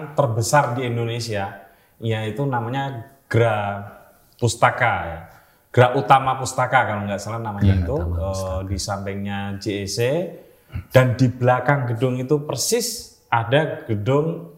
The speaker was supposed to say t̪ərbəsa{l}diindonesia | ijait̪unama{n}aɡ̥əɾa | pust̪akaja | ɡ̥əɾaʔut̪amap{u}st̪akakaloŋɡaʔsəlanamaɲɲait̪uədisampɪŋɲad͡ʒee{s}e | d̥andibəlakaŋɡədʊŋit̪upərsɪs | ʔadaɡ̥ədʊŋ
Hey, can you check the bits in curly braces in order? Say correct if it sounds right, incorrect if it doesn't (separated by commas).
incorrect, incorrect, correct, correct